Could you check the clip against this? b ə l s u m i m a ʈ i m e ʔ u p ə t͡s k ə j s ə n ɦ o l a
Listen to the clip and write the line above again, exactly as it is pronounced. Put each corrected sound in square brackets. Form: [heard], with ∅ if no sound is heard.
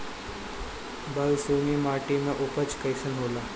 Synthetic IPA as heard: b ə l s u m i m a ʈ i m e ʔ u p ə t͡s k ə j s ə n ɦ o l a